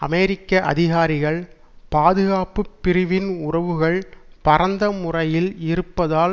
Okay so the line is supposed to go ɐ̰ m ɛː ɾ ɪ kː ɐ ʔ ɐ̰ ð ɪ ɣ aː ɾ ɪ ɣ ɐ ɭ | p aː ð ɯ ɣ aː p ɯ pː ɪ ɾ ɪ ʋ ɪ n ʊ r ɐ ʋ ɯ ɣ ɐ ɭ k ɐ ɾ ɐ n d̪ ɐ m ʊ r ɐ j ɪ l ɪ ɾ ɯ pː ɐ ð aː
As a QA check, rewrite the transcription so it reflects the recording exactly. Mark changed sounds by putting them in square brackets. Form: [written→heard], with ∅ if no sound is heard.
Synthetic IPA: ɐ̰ m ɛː ɾ ɪ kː ɐ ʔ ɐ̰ ð ɪ ɣ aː ɾ ɪ ɣ ɐ ɭ | p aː ð ɯ ɣ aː p ɯ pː ɪ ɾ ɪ ʋ ɪ n ʊ r ɐ ʋ ɯ ɣ ɐ ɭ [k→p] ɐ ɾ ɐ n d̪ ɐ m ʊ r ɐ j ɪ l ɪ ɾ ɯ pː ɐ ð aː